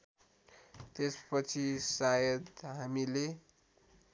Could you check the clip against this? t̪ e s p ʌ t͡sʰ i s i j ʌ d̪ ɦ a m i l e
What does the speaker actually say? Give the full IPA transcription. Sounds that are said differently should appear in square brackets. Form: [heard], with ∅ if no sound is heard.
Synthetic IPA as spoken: t̪ e s p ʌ t͡sʰ i s [a] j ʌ d̪ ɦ a m i l e